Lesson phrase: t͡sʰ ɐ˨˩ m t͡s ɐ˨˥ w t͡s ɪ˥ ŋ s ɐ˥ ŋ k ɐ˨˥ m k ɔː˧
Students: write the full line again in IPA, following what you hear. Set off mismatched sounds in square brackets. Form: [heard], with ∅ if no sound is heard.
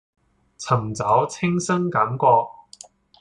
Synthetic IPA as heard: t͡sʰ ɐ˨˩ m t͡s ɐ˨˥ w [t͡sʰ] ɪ˥ ŋ s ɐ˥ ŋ k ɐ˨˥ m k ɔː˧